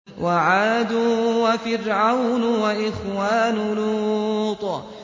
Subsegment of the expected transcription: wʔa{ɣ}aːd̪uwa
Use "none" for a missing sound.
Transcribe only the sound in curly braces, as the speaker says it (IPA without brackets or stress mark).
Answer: ʕ